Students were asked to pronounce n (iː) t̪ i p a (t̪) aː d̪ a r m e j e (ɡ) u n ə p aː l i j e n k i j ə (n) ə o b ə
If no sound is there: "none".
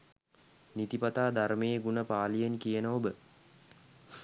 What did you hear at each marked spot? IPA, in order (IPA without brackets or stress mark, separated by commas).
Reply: i, t̪, ɡ, n